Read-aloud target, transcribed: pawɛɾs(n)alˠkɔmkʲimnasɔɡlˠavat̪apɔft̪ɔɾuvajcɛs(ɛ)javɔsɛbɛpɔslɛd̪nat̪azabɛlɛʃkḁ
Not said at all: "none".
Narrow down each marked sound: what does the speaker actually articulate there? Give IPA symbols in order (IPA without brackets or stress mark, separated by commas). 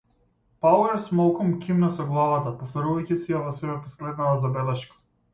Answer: m, i